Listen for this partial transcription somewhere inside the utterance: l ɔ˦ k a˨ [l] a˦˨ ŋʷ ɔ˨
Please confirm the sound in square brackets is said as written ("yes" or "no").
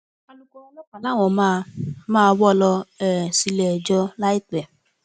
yes